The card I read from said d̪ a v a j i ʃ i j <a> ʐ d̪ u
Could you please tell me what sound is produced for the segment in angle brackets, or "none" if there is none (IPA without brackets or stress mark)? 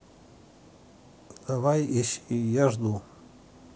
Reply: a